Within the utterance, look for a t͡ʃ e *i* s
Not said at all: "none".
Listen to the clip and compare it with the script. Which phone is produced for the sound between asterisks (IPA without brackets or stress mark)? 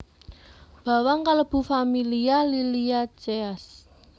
a